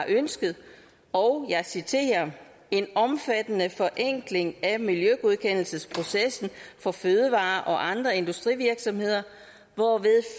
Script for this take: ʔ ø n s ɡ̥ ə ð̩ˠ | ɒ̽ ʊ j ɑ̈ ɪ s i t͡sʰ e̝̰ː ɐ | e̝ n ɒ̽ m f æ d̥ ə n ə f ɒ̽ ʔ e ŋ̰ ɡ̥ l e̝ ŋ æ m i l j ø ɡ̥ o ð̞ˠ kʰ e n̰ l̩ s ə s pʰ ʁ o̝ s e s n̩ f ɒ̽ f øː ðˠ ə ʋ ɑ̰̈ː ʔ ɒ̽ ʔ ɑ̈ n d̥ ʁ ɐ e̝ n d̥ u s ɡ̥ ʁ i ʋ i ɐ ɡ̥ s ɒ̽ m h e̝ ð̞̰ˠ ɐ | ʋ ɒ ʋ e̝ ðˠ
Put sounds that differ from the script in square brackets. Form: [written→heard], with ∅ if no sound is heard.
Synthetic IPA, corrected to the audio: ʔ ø n s ɡ̥ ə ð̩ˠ | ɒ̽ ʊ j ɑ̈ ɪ s i t͡sʰ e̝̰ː ɐ | e̝ n ɒ̽ m f æ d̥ ə n ə f ɒ̽ ʔ e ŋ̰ ɡ̥ l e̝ ŋ æ m i l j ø ɡ̥ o ð̞ˠ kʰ e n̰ l̩ s ə s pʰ ʁ o̝ s e s n̩ f ɒ̽ f øː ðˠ ə ʋ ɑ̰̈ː ʔ ɒ̽ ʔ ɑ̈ n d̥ ʁ ɐ e̝ n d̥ u s [ɡ̥→d̥] ʁ i ʋ i ɐ ɡ̥ s ɒ̽ m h e̝ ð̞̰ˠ ɐ | ʋ ɒ ʋ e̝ ðˠ